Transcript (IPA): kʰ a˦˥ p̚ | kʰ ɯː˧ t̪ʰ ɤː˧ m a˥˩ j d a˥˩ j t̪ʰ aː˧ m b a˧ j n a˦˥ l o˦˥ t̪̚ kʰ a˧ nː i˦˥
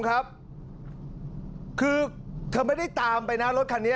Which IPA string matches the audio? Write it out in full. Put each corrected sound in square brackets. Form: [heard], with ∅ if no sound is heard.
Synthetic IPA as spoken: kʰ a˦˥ p̚ | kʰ ɯː˧ t̪ʰ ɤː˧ m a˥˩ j d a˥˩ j [t̪] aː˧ m [p] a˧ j n a˦˥ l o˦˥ t̪̚ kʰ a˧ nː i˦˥